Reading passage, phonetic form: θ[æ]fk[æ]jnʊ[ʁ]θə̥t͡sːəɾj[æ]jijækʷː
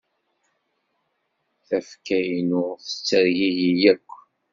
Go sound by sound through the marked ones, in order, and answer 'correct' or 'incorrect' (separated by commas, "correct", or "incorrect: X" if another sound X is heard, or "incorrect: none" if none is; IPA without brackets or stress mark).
correct, correct, correct, incorrect: i